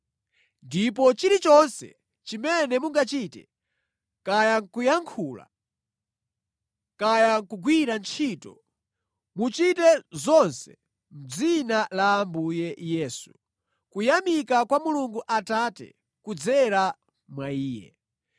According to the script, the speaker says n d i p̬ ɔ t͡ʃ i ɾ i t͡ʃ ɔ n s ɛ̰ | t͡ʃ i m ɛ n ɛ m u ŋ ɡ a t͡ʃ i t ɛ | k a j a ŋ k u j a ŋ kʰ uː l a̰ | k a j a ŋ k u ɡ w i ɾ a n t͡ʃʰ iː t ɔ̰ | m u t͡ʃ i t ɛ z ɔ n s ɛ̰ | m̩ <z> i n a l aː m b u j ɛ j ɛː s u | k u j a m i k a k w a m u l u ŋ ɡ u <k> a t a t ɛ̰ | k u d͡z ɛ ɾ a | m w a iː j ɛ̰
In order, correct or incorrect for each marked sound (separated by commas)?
incorrect, incorrect